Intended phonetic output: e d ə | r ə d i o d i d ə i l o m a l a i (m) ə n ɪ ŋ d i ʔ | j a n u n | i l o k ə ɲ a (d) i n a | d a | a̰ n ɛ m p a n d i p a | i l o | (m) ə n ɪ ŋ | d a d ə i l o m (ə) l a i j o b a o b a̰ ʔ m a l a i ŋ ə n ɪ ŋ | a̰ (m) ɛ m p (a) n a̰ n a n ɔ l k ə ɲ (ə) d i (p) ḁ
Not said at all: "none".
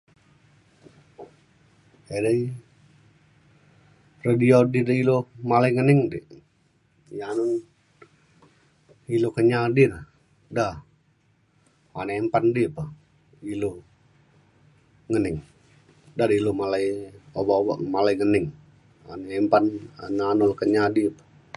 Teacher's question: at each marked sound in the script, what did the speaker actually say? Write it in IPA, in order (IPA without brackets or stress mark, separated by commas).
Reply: ŋ, d, ŋ, a, n, a, a, p